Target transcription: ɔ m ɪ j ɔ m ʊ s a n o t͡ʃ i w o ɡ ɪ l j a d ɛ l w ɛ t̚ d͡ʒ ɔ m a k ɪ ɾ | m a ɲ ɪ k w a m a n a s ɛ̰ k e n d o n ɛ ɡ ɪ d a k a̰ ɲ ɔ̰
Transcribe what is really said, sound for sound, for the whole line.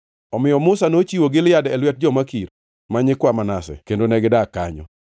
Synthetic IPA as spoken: ɔ m ɪ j ɔ m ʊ s a n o t͡ʃ i w o ɡ ɪ l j a d ɛ l w ɛ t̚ d͡ʒ ɔ m a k i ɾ | m a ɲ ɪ k w a m a n a s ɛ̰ k e n d o n ɛ ɡ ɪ d a k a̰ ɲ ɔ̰